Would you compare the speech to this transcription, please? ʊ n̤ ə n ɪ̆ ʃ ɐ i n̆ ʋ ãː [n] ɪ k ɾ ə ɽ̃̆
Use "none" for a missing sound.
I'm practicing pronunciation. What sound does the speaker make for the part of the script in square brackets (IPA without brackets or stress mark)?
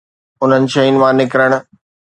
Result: n